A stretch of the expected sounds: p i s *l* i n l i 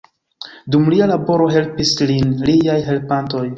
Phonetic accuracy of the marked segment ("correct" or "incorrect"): correct